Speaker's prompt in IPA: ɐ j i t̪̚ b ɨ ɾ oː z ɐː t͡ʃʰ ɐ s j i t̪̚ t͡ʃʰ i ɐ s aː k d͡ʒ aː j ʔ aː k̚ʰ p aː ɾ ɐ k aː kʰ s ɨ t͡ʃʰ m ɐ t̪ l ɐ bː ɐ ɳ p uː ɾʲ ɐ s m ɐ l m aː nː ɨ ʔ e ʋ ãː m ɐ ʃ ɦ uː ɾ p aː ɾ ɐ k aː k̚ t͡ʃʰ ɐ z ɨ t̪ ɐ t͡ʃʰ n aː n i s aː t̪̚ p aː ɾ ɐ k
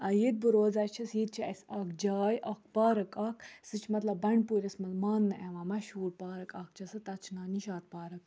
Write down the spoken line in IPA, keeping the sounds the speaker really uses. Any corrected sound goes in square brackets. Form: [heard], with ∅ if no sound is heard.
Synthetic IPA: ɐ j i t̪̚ b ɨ ɾ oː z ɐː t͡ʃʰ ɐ s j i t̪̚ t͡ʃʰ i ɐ s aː k d͡ʒ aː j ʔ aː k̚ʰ p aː ɾ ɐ k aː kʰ s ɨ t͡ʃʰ m ɐ t̪ l ɐ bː ɐ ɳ p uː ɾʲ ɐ s m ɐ l m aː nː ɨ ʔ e ʋ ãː m ɐ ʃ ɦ uː ɾ p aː ɾ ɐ k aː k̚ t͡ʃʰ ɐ [s] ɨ t̪ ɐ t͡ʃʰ n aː n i [ʃ] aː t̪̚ p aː ɾ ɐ k